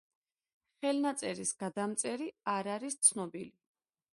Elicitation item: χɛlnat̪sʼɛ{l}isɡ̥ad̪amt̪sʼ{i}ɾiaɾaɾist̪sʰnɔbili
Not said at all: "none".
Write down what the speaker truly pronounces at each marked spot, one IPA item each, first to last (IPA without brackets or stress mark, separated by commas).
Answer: ɾ, ɛ